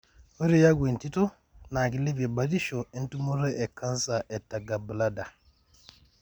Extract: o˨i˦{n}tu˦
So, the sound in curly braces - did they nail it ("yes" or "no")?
yes